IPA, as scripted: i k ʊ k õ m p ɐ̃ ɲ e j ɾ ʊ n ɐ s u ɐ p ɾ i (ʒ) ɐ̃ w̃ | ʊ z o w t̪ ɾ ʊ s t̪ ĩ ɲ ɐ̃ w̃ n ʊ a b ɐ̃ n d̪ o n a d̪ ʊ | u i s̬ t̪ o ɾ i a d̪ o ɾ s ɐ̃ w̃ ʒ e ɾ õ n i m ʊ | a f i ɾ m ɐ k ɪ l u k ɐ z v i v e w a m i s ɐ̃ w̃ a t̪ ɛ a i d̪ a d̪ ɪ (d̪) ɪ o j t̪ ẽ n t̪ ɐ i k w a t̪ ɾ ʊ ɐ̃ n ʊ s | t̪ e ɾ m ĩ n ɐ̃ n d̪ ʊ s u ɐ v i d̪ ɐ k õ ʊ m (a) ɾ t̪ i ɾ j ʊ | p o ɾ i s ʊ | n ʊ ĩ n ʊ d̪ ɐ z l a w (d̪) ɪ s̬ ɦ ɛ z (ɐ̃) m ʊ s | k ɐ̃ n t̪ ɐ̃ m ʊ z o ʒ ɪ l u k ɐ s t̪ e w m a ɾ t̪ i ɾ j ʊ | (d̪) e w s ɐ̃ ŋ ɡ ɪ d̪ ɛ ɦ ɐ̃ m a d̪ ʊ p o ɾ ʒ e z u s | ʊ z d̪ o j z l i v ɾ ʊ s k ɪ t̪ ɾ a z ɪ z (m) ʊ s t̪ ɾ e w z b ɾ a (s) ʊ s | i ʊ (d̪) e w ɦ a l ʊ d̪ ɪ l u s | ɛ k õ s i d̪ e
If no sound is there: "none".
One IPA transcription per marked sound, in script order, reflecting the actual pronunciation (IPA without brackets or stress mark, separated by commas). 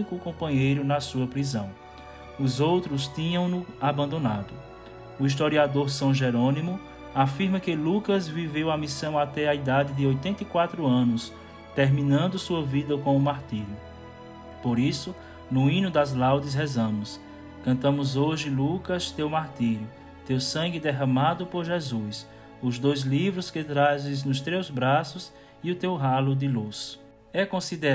z, d̪, a, d̪, ɐ̃, t̪, n, s, t̪